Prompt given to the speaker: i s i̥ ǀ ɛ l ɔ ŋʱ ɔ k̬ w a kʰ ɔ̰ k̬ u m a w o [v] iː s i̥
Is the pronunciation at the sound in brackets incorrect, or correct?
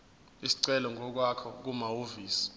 correct